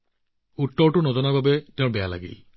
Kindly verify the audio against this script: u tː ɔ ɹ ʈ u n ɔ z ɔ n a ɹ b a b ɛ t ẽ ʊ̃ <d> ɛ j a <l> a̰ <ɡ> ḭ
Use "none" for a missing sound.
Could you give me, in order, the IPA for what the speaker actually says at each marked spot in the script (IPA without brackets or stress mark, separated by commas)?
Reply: b, l, ɡ